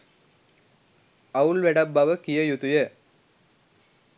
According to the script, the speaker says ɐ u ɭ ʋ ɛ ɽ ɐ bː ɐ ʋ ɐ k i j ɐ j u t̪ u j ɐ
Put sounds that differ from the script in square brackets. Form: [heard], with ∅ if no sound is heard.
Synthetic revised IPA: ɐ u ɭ ʋ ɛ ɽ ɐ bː ɐ ʋ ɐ k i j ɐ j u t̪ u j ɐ